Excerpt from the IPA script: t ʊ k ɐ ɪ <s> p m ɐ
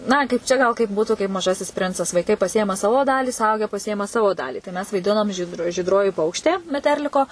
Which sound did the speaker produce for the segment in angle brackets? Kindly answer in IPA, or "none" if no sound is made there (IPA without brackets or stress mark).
none